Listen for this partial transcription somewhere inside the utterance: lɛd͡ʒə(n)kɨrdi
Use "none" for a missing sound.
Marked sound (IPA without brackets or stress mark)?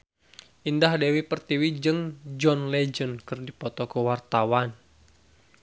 n